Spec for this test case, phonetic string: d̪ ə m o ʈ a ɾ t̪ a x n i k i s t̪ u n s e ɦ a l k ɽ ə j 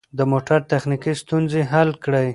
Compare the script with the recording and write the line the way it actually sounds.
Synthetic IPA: d̪ ə m o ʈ a ɾ t̪ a x n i k i s t̪ u n z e ɦ a l k ɽ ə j